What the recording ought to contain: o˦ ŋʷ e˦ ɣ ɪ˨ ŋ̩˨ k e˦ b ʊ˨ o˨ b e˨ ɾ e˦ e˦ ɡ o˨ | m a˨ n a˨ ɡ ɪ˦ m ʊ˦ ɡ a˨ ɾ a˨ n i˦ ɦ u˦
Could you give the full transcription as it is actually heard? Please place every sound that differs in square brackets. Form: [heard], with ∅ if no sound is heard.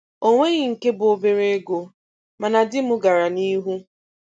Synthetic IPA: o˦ ŋʷ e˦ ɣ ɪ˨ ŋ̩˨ k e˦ b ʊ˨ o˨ b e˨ ɾ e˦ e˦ ɡ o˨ | m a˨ n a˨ [d] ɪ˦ m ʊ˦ ɡ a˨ ɾ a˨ n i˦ ɦ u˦